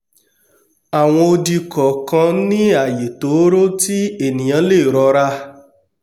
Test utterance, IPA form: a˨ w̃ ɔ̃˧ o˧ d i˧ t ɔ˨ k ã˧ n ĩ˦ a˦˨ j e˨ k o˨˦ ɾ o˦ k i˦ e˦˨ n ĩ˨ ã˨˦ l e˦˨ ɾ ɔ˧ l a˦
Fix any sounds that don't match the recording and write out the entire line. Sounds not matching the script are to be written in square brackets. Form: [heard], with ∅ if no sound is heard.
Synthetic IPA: a˨ w̃ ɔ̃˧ o˧ d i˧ [k] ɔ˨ k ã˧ n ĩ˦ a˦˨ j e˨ [t] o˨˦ ɾ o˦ [t] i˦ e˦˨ n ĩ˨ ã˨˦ l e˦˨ ɾ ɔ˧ [ɾ] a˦